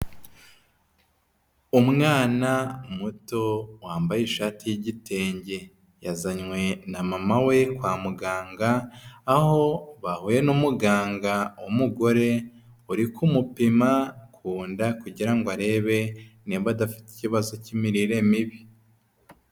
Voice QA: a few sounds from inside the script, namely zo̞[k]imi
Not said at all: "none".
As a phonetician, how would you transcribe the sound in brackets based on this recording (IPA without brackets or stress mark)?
c